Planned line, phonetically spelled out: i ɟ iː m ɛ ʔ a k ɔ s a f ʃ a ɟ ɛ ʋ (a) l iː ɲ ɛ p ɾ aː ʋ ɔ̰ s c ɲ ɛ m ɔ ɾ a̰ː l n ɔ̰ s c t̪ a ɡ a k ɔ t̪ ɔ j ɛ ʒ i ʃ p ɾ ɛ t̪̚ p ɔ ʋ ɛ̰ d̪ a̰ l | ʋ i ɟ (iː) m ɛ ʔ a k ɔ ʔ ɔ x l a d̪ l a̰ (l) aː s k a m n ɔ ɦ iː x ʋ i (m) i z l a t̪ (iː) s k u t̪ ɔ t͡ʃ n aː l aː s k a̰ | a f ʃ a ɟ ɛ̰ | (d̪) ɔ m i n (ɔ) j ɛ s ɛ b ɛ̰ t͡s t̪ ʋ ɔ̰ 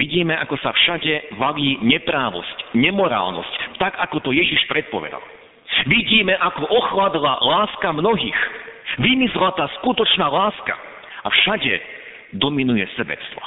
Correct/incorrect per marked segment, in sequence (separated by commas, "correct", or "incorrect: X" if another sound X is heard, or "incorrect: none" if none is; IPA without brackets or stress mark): correct, correct, correct, correct, incorrect: aː, correct, incorrect: u